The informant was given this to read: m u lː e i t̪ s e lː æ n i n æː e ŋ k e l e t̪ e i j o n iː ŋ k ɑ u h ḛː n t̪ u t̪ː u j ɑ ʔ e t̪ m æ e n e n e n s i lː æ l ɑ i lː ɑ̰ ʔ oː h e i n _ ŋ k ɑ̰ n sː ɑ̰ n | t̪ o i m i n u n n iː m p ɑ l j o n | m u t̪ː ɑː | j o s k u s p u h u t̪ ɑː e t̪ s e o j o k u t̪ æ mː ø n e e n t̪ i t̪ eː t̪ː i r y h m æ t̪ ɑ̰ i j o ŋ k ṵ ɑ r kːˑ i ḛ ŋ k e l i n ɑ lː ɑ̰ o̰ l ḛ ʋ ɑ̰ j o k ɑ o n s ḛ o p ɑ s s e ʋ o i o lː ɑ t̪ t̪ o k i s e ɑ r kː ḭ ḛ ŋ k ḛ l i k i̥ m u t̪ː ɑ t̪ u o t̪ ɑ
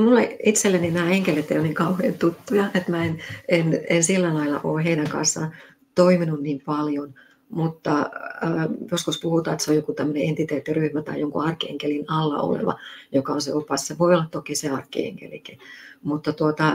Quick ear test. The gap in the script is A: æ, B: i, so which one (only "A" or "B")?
A